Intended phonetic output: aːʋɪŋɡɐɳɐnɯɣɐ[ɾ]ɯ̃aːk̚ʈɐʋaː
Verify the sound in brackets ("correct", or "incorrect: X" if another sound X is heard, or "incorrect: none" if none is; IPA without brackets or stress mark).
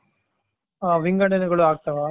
incorrect: ɭ